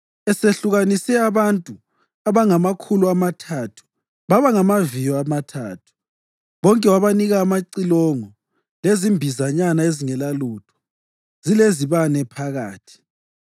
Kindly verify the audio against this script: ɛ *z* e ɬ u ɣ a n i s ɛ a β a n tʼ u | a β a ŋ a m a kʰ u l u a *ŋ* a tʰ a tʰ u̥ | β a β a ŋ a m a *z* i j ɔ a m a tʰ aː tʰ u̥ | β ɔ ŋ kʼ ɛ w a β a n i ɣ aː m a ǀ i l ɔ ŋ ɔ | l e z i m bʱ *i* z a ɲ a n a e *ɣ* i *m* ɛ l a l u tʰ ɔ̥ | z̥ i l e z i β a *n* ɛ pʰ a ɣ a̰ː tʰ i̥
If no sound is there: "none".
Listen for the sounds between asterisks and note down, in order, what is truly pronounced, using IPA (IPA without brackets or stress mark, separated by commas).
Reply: s, m, v, i, z, ŋ, n